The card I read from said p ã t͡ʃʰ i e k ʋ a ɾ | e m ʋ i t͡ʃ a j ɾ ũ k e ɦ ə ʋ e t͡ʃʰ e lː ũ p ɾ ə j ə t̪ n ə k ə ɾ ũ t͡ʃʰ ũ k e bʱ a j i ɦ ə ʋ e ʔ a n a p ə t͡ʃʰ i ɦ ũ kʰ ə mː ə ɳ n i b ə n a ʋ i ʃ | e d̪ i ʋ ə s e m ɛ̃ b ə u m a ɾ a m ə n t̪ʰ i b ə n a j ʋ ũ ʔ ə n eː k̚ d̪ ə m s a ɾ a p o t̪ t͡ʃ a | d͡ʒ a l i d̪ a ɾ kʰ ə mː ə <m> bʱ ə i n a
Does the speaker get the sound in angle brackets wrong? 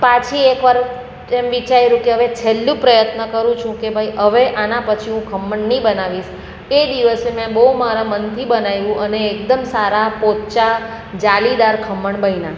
yes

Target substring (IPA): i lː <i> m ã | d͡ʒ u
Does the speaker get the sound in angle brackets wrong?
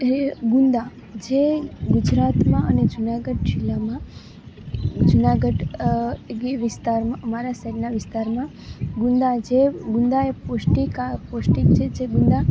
yes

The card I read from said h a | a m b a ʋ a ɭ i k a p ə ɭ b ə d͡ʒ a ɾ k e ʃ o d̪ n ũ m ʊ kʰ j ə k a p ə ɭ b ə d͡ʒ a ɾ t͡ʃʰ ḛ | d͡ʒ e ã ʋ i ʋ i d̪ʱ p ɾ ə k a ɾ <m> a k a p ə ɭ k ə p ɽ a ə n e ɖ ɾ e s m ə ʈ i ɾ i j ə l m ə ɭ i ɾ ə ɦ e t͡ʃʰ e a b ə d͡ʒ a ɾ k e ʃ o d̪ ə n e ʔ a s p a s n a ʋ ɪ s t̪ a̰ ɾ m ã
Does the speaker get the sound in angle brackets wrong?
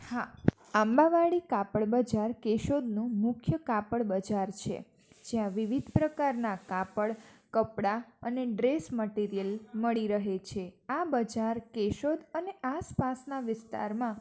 yes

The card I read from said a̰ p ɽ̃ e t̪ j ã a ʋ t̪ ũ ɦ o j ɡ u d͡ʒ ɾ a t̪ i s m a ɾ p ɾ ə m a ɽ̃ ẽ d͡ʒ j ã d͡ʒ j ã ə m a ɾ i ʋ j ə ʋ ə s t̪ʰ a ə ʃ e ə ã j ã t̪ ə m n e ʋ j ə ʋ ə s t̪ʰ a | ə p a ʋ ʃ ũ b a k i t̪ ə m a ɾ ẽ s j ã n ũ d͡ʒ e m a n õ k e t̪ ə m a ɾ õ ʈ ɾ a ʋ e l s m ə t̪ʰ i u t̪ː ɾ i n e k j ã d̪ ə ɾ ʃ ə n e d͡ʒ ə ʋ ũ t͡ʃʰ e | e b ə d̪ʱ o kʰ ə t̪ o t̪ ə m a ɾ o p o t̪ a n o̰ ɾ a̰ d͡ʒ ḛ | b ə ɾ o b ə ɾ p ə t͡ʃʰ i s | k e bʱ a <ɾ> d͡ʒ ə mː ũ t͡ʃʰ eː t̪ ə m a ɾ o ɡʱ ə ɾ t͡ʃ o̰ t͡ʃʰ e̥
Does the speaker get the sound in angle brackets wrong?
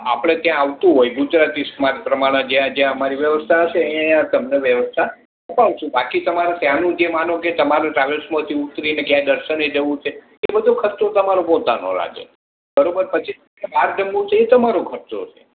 no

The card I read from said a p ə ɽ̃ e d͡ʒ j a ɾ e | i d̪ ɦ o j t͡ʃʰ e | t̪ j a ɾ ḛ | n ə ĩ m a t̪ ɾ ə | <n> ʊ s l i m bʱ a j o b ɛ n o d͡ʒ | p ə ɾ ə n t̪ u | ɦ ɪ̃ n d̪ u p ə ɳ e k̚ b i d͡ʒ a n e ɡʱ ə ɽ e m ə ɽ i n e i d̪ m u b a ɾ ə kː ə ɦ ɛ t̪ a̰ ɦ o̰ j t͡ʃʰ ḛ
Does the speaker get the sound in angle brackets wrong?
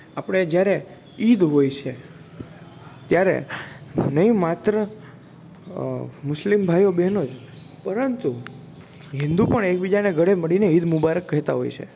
yes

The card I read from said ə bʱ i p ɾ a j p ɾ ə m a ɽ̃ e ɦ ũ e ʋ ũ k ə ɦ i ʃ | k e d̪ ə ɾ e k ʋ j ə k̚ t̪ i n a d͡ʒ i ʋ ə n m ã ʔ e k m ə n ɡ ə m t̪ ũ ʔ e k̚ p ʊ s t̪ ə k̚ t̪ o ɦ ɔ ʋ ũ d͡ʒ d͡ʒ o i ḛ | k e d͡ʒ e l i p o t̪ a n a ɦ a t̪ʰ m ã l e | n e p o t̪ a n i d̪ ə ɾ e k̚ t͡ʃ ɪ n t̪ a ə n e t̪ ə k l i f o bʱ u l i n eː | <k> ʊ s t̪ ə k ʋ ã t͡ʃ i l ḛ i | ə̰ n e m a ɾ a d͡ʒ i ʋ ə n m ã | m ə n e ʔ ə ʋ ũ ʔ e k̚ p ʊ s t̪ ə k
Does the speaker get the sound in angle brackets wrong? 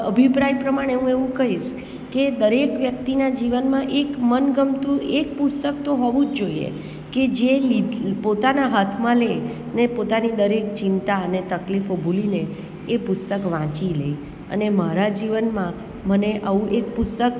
yes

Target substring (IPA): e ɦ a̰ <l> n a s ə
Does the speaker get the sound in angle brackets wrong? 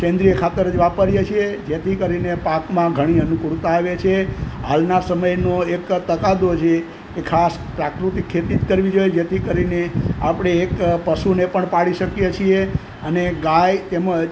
no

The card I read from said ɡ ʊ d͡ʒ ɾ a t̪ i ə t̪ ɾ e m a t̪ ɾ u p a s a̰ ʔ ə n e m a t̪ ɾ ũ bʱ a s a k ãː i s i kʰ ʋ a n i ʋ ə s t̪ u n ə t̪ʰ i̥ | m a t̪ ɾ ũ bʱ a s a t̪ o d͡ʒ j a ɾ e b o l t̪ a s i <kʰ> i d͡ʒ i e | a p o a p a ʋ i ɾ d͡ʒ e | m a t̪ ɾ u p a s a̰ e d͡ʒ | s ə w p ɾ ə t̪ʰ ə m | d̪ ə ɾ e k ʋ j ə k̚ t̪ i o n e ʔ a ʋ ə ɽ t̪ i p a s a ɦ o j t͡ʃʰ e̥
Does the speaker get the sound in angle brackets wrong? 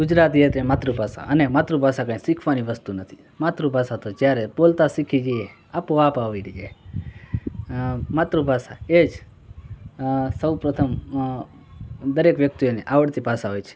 no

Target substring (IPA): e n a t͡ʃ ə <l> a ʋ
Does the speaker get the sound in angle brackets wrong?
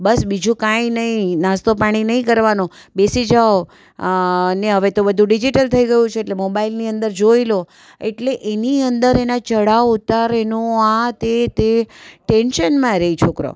yes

